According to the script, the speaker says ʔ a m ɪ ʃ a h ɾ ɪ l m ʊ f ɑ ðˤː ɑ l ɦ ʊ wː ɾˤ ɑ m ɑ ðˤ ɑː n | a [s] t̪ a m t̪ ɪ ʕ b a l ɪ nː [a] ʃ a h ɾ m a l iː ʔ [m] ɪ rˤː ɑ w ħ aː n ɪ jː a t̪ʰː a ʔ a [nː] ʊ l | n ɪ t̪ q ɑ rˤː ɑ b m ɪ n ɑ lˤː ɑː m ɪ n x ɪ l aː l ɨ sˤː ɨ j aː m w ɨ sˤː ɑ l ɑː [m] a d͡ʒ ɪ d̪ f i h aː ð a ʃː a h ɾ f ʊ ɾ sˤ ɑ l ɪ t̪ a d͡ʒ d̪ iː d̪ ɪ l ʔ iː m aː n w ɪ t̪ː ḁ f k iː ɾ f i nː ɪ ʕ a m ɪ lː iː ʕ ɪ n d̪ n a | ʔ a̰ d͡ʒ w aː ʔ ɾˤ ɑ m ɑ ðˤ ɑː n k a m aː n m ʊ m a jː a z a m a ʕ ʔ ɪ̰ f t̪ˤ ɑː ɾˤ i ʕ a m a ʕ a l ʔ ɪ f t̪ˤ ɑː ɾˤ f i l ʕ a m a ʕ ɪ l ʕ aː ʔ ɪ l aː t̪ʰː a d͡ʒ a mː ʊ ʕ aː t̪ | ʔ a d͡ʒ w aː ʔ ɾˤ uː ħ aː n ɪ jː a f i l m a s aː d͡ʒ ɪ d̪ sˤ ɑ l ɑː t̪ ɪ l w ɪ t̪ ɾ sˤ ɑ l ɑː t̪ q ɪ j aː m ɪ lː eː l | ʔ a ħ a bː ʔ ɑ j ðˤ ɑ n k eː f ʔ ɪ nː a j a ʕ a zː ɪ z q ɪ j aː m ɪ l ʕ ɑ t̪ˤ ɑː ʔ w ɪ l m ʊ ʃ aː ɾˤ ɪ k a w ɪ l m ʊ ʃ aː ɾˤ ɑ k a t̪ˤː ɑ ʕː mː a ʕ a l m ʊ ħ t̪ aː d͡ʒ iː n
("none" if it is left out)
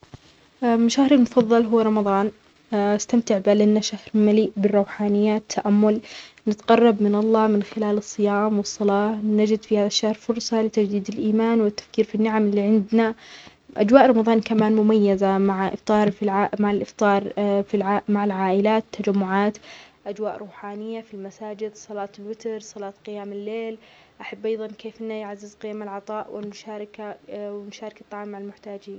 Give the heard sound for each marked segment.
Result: s, a, b, mː, n

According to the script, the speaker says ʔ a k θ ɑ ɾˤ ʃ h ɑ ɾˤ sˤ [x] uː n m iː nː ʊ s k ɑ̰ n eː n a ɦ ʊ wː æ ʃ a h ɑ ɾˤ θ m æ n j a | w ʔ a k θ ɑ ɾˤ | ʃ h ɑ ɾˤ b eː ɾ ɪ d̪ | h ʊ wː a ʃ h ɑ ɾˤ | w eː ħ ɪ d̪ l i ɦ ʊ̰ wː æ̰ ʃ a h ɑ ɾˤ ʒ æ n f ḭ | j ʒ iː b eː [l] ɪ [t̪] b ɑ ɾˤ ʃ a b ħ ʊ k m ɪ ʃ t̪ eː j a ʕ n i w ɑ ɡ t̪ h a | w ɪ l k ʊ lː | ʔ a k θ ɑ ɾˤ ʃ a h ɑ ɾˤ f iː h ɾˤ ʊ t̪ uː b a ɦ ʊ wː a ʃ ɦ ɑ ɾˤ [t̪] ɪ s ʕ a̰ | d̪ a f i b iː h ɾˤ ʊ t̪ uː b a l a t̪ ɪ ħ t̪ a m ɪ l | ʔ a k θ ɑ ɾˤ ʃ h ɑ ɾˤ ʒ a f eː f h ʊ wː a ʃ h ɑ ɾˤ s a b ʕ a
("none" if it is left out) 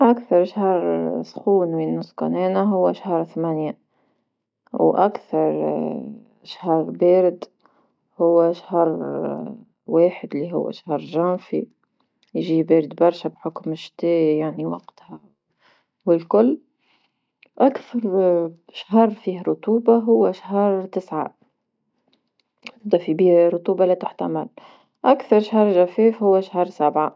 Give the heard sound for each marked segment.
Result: x, ɾ, d̪, t̪

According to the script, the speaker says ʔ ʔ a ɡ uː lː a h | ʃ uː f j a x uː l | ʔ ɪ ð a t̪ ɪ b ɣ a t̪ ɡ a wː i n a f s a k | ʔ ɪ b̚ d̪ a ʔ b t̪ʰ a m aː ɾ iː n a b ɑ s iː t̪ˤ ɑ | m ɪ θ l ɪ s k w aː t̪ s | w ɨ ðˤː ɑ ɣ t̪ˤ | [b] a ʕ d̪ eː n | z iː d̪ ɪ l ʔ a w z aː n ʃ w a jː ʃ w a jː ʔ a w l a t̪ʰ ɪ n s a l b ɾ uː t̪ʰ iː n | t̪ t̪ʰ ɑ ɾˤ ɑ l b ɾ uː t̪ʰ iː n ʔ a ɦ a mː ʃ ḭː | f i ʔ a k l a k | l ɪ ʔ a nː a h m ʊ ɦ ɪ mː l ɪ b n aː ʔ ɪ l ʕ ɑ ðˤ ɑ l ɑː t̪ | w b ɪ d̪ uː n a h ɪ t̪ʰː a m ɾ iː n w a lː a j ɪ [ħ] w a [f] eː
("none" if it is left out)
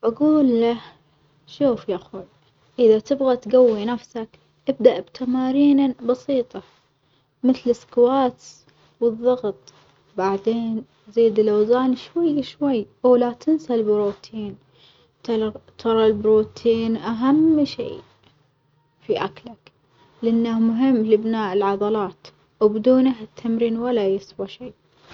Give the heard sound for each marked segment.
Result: b, s, ʃ

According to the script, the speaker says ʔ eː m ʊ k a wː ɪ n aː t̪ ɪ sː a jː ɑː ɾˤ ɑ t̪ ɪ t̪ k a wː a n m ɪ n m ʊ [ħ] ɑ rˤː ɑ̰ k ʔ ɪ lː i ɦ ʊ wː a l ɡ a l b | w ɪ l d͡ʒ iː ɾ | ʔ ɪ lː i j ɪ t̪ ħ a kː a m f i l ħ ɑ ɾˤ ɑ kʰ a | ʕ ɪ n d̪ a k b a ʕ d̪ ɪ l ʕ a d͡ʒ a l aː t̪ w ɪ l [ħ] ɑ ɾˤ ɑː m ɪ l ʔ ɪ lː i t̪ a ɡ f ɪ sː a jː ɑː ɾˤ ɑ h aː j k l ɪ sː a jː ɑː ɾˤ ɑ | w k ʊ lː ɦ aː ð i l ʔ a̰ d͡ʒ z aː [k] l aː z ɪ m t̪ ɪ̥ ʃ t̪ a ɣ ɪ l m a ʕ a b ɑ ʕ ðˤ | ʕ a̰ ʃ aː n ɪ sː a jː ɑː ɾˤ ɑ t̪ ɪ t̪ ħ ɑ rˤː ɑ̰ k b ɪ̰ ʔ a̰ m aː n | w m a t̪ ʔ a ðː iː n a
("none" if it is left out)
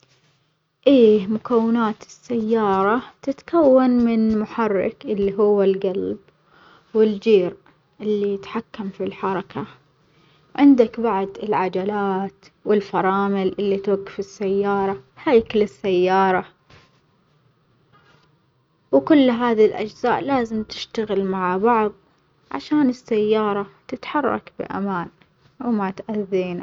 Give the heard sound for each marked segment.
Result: ħ, f, ʔ

